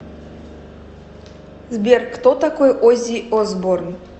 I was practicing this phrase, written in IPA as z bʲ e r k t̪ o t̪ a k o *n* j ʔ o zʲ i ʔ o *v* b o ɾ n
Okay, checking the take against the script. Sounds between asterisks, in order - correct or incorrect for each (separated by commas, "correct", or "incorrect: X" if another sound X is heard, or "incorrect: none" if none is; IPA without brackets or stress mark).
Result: incorrect: none, incorrect: z